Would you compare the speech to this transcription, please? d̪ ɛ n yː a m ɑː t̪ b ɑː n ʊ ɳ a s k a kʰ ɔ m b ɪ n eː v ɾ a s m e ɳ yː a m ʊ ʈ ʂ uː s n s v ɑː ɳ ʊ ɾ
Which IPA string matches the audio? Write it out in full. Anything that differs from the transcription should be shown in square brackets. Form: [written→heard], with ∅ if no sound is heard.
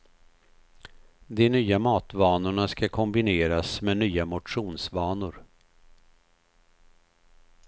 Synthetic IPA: d̪ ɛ n yː a m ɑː t̪ [b→v] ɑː n ʊ ɳ a s k a kʰ ɔ m b ɪ n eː [v→∅] ɾ a s m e [ɳ→n] yː a m ʊ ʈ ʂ uː [s→∅] n s v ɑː [ɳ→n] ʊ ɾ